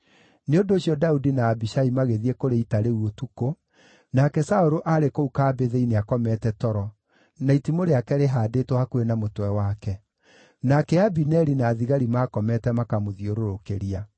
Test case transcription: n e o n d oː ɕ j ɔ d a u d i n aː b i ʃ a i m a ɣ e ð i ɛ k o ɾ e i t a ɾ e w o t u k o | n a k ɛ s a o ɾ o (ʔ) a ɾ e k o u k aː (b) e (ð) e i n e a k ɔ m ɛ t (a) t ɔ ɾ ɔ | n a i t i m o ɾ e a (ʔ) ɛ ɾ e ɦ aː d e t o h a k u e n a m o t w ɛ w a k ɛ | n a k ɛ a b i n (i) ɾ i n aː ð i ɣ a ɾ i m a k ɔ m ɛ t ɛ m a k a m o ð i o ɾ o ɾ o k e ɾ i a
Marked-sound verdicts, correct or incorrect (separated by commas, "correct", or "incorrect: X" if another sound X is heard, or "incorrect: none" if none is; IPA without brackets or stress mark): correct, correct, correct, incorrect: ɛ, incorrect: k, incorrect: ɛ